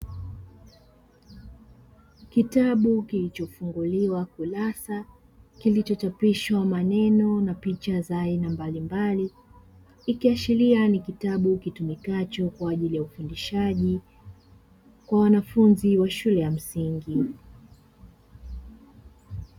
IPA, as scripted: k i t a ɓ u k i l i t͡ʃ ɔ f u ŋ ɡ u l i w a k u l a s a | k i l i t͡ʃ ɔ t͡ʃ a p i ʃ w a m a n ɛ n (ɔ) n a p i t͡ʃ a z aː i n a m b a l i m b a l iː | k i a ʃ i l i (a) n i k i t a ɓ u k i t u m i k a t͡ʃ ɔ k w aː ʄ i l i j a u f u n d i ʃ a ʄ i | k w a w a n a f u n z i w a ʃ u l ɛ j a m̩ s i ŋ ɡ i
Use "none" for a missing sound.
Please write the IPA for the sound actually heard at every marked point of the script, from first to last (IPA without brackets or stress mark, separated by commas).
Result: ɔ, a